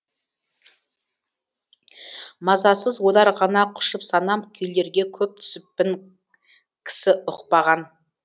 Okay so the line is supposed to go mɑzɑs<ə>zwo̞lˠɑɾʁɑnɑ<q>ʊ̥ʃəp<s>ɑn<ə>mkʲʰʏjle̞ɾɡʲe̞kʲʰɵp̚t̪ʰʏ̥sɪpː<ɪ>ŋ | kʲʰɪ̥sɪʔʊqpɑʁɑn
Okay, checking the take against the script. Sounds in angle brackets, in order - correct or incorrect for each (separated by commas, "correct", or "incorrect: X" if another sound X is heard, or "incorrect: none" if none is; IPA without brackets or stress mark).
correct, incorrect: qʰ, correct, incorrect: ɑ, correct